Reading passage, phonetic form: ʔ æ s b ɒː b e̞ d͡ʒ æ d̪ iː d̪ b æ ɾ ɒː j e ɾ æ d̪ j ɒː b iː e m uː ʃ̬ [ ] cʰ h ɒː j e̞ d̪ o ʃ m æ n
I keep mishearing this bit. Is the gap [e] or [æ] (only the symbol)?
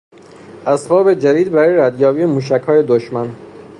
æ